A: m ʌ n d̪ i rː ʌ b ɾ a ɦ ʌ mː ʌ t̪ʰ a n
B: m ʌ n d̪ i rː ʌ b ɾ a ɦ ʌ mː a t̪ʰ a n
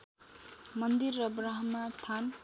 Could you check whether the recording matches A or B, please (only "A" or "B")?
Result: B